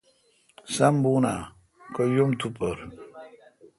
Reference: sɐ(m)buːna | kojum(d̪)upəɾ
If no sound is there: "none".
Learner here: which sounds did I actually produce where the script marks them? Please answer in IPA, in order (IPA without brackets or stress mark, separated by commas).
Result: m, t̪